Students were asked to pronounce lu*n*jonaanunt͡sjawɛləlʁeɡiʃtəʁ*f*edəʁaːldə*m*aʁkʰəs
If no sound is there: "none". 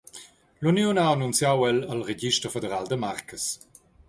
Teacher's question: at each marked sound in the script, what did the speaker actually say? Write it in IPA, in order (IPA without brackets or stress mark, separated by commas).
n, f, m